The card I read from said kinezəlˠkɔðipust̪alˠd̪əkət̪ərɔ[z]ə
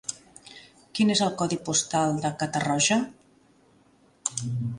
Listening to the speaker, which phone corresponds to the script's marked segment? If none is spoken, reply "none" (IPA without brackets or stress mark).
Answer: ʒ